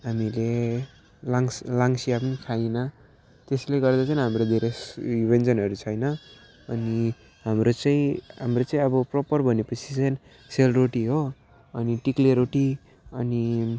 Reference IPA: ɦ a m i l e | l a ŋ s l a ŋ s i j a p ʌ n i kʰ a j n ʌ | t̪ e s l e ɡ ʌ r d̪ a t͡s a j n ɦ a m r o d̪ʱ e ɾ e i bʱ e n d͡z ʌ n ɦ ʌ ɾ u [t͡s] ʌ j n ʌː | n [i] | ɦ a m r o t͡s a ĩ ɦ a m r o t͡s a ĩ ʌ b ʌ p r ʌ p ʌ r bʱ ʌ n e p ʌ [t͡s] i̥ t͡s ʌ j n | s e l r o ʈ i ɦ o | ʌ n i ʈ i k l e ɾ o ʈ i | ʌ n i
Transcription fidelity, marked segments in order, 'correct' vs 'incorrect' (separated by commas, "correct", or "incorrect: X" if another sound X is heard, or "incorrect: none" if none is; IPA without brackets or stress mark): incorrect: t͡sʰ, correct, incorrect: t͡sʰ